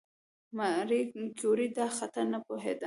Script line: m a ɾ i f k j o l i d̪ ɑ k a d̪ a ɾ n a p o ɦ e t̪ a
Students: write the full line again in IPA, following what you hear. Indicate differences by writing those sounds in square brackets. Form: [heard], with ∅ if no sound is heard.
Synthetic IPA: m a ɾ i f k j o [ɾ] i d̪ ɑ [x] a [t̪] a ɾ n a p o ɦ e [d̪] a

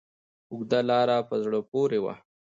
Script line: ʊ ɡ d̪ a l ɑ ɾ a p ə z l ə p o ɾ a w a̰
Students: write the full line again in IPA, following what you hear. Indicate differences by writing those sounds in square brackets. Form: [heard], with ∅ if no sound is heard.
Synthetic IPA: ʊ ɡ d̪ a l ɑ ɾ a p ə z [ɽ] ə p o ɾ [e] w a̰

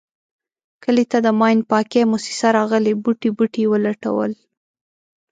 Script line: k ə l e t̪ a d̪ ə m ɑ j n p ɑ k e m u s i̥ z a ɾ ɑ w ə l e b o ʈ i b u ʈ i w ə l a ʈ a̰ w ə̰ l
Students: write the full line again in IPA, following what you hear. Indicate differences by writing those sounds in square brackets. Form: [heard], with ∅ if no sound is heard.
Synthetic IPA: k ə l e t̪ a d̪ ə m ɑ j n p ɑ k e m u s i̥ [s] a ɾ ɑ [ɣ] ə l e b [u] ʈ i b u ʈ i w ə l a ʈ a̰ w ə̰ l

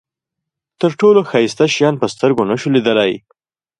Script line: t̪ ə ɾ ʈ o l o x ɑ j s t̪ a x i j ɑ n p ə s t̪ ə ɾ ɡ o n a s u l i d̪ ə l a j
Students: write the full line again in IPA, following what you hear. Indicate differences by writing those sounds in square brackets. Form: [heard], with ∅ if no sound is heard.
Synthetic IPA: t̪ ə ɾ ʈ o l o x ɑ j s t̪ a [ʃ] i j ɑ n p ə s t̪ ə ɾ ɡ o n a [ʃ] u l i d̪ ə l a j

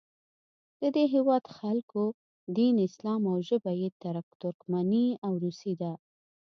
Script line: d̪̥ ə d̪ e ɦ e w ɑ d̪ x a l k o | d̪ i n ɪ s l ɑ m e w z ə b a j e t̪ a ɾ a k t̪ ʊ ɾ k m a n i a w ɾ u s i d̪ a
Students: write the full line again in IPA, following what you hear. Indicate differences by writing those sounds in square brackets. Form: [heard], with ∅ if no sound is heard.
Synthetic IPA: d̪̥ ə d̪ e ɦ e w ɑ d̪ x a l k o | d̪ i n ɪ s l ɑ m [a] w [ʒ] ə b a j e t̪ a ɾ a k t̪ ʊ ɾ k m a n i a w ɾ u s i d̪ a

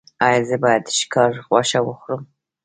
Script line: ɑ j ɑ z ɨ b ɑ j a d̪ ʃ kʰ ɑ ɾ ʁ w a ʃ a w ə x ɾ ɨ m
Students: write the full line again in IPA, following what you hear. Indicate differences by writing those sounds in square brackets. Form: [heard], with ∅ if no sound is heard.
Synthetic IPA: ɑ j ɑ z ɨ b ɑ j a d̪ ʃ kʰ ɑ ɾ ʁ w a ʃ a w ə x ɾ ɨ m

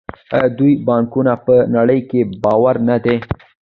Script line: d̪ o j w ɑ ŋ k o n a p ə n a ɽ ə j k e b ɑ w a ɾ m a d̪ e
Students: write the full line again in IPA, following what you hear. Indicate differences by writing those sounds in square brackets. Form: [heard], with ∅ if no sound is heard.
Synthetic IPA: d̪ [u] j [b] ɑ ŋ k [u] n a p ə n a ɽ ə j k e b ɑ w a ɾ [n] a d̪ e

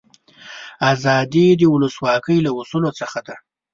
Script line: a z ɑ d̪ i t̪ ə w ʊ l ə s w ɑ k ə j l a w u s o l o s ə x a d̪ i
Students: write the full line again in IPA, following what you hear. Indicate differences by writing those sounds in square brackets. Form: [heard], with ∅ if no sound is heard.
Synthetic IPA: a z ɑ d̪ i [d̪] ə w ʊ l ə s w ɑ k ə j l a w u s [u] l o [t͡s] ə x a d̪ [a]

